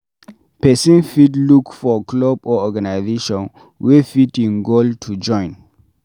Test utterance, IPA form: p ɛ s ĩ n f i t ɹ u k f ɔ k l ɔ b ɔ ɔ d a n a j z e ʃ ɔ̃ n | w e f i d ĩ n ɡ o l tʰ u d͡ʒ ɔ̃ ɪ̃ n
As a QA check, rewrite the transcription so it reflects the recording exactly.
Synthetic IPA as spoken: p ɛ s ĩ n f i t l u k f ɔ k l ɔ b ɔ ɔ ɡ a n a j z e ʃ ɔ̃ n | w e f i t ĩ n ɡ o l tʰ u d͡ʒ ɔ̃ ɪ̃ n

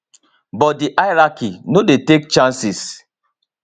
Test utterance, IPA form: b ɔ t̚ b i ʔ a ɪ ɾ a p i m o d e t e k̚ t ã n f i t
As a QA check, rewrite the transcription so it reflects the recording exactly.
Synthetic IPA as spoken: b ɔ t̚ d i ʔ a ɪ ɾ a k i n o d e t e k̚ t͡ʃ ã n s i s

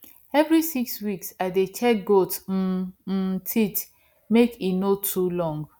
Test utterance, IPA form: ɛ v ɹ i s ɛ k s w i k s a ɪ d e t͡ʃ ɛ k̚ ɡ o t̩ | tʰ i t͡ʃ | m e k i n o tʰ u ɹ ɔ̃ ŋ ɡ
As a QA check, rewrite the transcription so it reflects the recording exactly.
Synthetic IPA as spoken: ɛ v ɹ i s i k s w i k s a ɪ d e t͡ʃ ɛ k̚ ɡ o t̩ | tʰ i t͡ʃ | m e k i n o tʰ u l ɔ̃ ŋ ɡ

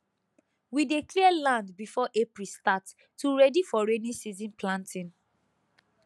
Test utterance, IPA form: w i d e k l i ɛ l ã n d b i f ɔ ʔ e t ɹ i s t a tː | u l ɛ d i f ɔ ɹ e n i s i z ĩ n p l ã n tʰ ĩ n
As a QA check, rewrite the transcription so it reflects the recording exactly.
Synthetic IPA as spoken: w i d e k l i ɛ l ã n d b i f ɔ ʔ e p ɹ i s t a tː | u ɹ ɛ d i f ɔ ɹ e n i s i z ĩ n p l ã n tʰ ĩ n

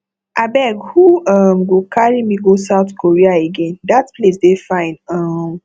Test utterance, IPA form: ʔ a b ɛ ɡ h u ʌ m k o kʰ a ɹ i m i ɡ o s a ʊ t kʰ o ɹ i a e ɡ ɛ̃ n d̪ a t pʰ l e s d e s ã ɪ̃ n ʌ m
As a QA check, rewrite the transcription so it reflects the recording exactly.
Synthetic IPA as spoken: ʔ a b ɛ ɡ h u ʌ m ɡ o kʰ a ɹ i m i ɡ o s a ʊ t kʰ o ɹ i a e ɡ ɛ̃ n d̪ a t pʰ l e s d e f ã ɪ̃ n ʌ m

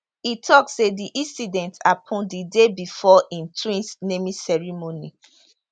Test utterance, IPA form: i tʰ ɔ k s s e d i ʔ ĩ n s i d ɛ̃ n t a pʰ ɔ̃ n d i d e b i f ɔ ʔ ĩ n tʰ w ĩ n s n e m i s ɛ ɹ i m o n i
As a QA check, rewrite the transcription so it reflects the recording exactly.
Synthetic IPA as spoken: i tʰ ɔ k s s e d i ʔ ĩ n s i d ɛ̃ n t a pʰ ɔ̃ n d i d e b i f ɔ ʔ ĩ n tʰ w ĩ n s n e m i s ɛ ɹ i m o n i

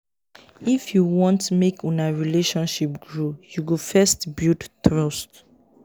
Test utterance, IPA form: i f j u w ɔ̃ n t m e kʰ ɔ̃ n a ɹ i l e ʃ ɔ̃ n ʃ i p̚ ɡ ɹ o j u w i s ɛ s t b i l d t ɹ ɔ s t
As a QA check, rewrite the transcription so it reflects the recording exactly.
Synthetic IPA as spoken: i f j u w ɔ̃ n t m e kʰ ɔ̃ n a ɹ i l e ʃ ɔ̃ n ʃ i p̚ ɡ ɹ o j u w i f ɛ s t b i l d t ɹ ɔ s t

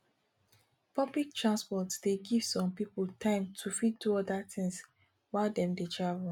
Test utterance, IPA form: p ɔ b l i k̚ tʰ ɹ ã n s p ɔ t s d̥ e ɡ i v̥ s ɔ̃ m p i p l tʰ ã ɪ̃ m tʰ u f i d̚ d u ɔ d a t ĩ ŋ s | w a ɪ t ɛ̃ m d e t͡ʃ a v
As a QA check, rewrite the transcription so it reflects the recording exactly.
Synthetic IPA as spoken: p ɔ b l i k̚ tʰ ɹ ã n s p ɔ t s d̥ e ɡ i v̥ s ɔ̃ m p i p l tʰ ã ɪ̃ m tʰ u f i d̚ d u ɔ d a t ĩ ŋ s | w a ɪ d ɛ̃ m d e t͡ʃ a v

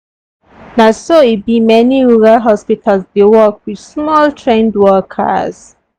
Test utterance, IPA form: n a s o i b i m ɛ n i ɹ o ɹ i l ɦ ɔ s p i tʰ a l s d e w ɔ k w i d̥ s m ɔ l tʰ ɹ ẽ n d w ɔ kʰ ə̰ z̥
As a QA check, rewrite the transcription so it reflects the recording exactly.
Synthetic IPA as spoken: n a s o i b i m ɛ n i ɹ u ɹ a l ɦ ɔ s p i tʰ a l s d e w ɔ k w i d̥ s m ɔ l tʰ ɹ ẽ n d w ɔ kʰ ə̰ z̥

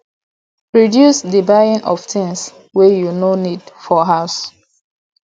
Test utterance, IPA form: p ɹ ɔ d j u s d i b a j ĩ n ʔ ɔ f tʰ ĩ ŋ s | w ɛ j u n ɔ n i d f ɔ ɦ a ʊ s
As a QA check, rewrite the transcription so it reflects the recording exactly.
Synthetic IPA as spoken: p ɹ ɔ d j u s d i b a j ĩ n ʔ ɔ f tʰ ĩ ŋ s | w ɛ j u n o n i d f ɔ ɦ a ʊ s

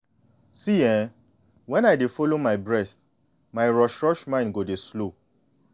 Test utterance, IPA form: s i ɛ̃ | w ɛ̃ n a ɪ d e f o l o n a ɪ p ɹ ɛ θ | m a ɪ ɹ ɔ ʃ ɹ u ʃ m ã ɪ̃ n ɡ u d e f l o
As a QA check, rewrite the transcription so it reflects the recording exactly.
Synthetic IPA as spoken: s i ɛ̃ | w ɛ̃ n a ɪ d e f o l o m a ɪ b ɹ ɛ θ | m a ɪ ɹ ɔ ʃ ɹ ɔ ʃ m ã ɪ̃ n ɡ o d e s l o

